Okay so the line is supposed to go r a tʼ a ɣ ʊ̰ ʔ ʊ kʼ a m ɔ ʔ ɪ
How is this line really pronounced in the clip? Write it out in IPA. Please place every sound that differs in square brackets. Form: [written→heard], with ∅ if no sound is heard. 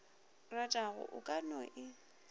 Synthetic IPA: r a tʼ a ɣ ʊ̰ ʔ ʊ kʼ a [m→n] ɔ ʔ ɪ